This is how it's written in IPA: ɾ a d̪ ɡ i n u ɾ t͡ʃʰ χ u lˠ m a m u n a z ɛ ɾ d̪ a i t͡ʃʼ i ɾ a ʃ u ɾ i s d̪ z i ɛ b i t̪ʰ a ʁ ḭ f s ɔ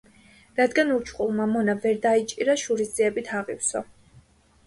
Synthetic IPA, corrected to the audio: ɾ a d̪ ɡ a n u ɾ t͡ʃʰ χ u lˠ m a m ɔ n a v ɛ ɾ d̪ a i t͡ʃʼ i ɾ a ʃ u ɾ i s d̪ z i ɛ b i t̪ʰ a ʁ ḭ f s ɔ